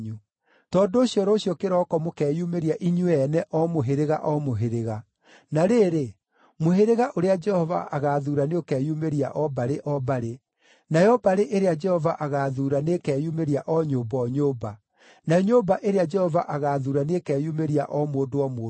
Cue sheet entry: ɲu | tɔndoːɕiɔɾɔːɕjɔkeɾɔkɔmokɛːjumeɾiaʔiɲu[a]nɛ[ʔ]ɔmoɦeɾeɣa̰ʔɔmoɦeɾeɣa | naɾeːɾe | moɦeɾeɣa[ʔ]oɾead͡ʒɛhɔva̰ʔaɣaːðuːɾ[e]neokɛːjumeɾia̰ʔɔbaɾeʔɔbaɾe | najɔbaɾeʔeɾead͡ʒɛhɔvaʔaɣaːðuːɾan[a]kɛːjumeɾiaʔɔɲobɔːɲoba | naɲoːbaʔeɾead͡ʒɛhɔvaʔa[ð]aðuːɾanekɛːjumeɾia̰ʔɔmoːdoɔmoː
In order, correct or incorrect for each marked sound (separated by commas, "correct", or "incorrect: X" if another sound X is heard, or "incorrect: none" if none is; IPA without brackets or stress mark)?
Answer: incorrect: ɛ, correct, correct, incorrect: a, incorrect: e, incorrect: ɣ